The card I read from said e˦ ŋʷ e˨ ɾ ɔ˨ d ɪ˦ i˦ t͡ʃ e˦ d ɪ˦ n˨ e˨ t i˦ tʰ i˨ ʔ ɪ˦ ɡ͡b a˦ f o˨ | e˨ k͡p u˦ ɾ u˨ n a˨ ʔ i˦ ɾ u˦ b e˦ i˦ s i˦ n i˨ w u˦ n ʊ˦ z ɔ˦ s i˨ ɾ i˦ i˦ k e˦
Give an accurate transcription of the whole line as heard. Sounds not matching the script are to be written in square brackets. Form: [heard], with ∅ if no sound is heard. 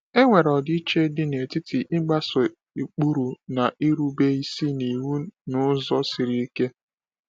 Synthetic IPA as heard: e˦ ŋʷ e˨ ɾ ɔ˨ d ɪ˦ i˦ t͡ʃ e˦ d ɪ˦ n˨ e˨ t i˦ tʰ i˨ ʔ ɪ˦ ɡ͡b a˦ [s] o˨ | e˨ k͡p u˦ ɾ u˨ n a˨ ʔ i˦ ɾ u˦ b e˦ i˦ s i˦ n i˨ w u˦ n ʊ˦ z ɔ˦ s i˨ ɾ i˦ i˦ k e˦